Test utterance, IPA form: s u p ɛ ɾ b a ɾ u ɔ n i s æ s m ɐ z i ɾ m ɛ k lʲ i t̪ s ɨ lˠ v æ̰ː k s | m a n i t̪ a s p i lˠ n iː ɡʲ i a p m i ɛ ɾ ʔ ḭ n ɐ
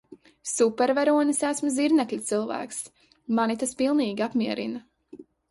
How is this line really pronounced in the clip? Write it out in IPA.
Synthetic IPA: s u p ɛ ɾ v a ɾ u ɔ n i s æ s m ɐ z i ɾ n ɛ k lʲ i t̪ s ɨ lˠ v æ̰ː k s | m a n i t̪ a s p i lˠ n iː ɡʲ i a p m i ɛ ɾ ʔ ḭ n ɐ